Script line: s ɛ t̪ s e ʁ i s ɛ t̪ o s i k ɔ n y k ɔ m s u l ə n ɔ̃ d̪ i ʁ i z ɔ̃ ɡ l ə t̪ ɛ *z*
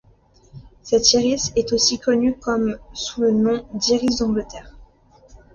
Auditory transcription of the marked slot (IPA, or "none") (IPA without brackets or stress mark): ʁ